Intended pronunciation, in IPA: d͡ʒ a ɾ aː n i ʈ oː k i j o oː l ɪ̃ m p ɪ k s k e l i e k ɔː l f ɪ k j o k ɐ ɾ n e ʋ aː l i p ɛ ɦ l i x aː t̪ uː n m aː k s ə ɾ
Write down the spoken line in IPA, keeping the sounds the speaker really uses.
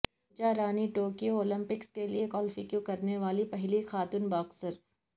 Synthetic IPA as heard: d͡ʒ a ɾ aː n i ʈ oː k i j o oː l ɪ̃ m p ɪ k s k e l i e k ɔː l f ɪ k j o k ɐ ɾ n e ʋ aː l i p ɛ ɦ l i x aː t̪ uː n b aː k s ə ɾ